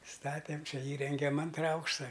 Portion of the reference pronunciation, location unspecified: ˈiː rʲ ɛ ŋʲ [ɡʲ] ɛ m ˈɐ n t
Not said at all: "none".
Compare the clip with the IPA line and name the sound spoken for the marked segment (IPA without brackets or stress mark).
ɡʲ